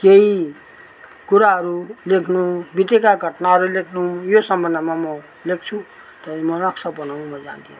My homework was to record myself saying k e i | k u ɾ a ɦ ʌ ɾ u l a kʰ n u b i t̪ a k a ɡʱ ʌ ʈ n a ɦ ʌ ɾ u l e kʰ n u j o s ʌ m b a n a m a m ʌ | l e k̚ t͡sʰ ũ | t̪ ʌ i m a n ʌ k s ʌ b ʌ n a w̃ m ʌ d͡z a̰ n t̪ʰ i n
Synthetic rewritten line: k e i | k u ɾ a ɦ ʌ ɾ u l e kʰ n u b i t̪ e k a ɡʱ ʌ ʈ n a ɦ ʌ ɾ u l e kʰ n u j o s ʌ m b ʌ n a m a m ʌ | l e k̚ t͡sʰ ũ | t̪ ʌ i m ʌ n ʌ k s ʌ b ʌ n a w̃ m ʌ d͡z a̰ n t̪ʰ i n